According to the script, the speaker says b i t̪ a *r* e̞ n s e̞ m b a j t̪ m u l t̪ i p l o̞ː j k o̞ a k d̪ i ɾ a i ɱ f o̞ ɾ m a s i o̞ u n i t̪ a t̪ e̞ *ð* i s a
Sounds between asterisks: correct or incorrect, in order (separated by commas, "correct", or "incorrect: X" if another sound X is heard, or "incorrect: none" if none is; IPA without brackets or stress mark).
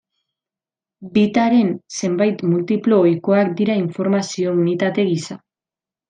incorrect: ɾ, incorrect: ɣ